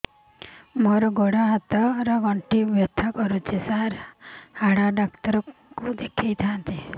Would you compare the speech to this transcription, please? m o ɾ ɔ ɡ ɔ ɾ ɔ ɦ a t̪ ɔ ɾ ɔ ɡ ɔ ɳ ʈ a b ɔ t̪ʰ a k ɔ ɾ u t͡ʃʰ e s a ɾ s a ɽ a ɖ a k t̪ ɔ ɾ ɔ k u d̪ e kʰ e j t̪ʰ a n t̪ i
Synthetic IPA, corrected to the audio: m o ɾ ɔ ɡ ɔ ɽ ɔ ɦ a t̪ ɔ ɾ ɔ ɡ ɔ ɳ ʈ i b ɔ t̪ʰ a k ɔ ɾ u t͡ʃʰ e s a ɾ h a ɽ a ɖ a k t̪ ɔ ɾ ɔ k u d̪ e kʰ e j t̪ʰ a n t̪ i